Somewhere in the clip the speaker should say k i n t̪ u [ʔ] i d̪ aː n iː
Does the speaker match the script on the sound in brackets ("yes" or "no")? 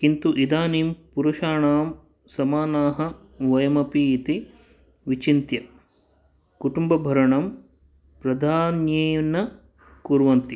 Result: yes